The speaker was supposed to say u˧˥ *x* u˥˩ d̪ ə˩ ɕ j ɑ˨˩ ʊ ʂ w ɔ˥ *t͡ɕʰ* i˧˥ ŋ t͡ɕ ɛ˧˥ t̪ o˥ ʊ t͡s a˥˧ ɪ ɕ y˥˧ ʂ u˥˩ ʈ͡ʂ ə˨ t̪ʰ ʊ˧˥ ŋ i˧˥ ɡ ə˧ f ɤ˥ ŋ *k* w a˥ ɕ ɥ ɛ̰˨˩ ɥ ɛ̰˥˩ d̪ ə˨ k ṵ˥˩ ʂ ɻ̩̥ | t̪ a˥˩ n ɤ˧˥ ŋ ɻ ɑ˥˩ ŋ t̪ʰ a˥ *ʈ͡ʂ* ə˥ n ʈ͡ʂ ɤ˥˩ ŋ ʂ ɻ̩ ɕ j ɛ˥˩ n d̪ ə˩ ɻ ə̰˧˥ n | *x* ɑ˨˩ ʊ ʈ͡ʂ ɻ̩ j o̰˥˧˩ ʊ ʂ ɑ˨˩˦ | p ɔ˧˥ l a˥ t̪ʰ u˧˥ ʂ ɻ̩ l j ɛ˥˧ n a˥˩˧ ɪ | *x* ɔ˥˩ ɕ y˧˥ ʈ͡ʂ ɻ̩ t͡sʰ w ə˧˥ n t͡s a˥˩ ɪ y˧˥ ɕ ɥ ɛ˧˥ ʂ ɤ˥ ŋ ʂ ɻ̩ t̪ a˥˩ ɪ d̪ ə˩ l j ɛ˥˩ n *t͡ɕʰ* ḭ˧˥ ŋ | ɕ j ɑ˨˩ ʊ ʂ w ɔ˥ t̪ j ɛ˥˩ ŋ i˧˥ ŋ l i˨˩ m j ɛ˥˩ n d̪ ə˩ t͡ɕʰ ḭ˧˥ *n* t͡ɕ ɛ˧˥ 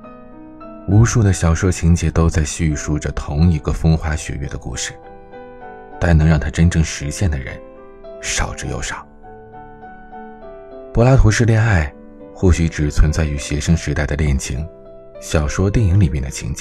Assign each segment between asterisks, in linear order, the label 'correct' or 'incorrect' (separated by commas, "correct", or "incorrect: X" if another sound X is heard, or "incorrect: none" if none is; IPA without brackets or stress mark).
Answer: incorrect: ʂ, correct, incorrect: x, correct, incorrect: ʂ, correct, correct, incorrect: ŋ